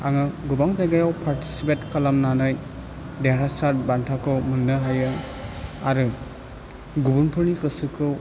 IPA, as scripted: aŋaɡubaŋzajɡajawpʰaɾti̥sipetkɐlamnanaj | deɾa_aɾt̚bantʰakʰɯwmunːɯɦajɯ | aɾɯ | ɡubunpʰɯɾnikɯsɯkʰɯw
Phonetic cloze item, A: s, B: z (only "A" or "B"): A